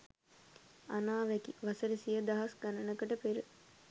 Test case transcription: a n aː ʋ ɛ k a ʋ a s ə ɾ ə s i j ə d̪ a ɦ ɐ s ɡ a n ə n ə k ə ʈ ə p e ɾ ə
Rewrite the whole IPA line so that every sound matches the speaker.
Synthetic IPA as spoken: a n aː ʋ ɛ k i ʋ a s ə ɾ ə s i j ə d̪ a ɦ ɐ s ɡ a n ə n ə k ə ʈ ə p e ɾ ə